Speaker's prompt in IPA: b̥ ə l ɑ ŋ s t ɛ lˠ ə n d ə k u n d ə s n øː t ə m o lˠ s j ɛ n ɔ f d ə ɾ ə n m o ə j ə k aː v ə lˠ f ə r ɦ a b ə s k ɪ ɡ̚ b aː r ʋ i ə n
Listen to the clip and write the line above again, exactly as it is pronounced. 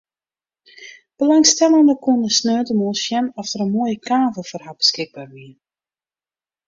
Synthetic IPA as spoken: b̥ ə l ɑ ŋ s t ɛ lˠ ə n d ə k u n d ə s n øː t ə m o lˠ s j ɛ n ɔ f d ə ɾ ə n m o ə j ə k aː v ə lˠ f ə r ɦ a b ə s k ɪ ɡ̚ b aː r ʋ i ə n